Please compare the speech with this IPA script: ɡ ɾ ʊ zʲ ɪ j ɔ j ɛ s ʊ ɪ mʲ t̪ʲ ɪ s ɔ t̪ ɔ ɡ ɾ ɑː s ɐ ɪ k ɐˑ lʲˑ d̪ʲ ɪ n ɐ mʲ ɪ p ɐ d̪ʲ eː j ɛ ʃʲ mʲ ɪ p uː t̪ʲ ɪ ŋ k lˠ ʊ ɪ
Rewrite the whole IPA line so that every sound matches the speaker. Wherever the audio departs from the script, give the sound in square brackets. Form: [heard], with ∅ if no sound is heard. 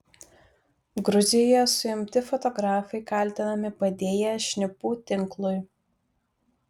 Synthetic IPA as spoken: ɡ ɾ ʊ zʲ ɪ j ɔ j ɛ s ʊ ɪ mʲ t̪ʲ ɪ [f] ɔ t̪ ɔ ɡ ɾ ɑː [f] ɐ ɪ k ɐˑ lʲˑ [t̪ʲ] ɪ n ɐ mʲ ɪ p ɐ d̪ʲ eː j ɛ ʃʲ [nʲ] ɪ p uː t̪ʲ ɪ ŋ k lˠ ʊ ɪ